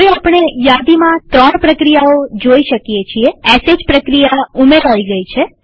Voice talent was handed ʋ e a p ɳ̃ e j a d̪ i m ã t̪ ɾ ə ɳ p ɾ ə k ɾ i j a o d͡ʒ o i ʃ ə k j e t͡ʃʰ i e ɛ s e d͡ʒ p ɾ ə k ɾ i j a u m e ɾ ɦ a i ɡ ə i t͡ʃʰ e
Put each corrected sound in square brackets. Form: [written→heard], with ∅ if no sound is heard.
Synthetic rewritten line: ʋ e a p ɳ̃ e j a d̪ i m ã t̪ ɾ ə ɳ p ɾ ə k ɾ i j a o d͡ʒ o i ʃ ə k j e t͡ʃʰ i e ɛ s e d͡ʒ p ɾ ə k ɾ i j a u m e ɾ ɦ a i ɡ ə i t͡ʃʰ e

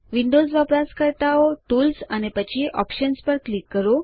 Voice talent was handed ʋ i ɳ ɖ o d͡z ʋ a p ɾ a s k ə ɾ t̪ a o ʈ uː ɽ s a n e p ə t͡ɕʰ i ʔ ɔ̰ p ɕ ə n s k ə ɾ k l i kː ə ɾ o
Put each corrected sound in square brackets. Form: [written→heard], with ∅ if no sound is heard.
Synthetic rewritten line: ʋ i ɳ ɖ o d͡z ʋ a p ɾ a s k ə ɾ t̪ a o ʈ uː [ɽ→l] s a n e p ə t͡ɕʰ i ʔ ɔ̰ p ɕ ə n s [k→p] ə ɾ k l i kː ə ɾ o

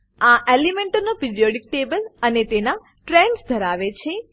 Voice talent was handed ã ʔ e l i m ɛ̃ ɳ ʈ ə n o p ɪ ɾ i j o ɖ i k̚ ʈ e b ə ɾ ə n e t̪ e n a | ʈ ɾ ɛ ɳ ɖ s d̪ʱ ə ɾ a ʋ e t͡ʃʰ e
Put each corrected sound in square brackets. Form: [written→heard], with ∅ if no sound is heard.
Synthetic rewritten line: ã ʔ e l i m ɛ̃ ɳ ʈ ə n o p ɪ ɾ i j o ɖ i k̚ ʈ e b ə [ɾ→l] ə n e t̪ e n a | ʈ ɾ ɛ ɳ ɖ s d̪ʱ ə ɾ a ʋ e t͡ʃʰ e

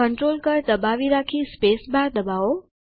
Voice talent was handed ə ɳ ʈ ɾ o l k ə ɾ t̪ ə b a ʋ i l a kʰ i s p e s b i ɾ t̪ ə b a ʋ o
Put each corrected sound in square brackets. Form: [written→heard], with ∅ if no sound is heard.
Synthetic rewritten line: ə ɳ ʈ ɾ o l k ə ɾ [t̪→d̪] ə b a ʋ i [l→ɾ] a kʰ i s p e s b [i→a] ɾ [t̪→d̪] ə b a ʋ o

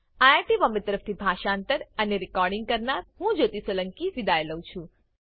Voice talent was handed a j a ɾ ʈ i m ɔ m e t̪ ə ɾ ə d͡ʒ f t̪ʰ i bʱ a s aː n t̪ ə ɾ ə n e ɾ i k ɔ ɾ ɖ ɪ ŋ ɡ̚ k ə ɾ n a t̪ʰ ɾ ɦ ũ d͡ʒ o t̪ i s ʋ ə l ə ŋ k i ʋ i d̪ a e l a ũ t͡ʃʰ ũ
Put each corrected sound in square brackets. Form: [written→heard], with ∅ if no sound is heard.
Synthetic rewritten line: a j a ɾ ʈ i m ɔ m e t̪ ə ɾ ə [d͡ʒ→∅] f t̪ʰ i bʱ a [s→ʃ] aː n t̪ ə ɾ ə n e ɾ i k ɔ ɾ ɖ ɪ ŋ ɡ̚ k ə ɾ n a [t̪ʰ→∅] ɾ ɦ ũ d͡ʒ o t̪ i s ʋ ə l ə ŋ k i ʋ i d̪ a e l [a→ə] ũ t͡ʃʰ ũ

